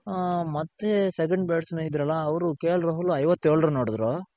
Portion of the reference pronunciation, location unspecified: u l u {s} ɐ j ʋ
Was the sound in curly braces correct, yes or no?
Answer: no